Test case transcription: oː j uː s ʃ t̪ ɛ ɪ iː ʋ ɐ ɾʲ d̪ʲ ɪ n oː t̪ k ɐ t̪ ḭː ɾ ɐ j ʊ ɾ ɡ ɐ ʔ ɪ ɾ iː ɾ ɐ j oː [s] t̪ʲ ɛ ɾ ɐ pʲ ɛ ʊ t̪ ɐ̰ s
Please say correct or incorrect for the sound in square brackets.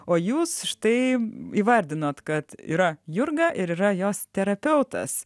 correct